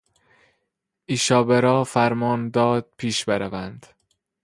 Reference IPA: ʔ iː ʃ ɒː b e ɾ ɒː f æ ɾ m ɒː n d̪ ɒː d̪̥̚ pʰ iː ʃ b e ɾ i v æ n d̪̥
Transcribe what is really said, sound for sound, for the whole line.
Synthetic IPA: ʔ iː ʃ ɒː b e ɾ ɒː f æ ɾ m ɒː n d̪ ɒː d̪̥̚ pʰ iː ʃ b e ɾ æ v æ n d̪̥